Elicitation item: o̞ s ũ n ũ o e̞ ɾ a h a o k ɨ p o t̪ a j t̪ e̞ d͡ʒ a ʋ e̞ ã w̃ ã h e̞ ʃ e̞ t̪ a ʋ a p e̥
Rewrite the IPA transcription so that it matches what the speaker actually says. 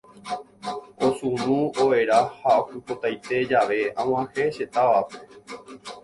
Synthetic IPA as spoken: o̞ s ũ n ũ o e̞ ɾ a h a o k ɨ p o t̪ a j t̪ e̞ d͡ʒ a ʋ e̞ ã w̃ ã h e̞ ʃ e̞ t̪ a ʋ a p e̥